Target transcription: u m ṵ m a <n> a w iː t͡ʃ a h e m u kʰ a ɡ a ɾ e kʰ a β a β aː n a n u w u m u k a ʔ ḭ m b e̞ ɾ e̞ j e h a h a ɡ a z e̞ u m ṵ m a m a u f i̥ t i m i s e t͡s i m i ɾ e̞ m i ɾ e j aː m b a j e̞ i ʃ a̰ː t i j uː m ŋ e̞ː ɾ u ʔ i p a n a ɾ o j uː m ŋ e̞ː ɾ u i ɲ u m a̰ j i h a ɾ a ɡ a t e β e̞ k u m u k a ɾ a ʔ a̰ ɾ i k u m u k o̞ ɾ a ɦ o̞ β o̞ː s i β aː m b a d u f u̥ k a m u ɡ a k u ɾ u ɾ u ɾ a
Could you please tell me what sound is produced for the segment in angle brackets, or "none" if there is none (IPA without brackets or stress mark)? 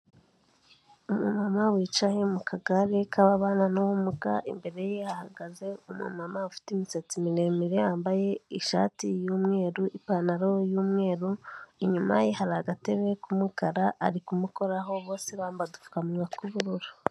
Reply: m